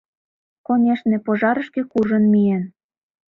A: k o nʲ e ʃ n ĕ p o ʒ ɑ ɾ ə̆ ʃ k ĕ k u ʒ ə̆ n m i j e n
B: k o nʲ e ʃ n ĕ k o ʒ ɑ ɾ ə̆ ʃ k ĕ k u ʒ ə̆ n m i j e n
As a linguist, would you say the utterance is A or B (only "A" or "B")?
A